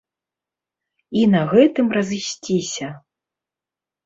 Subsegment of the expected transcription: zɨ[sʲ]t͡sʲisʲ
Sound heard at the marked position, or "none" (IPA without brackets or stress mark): sʲ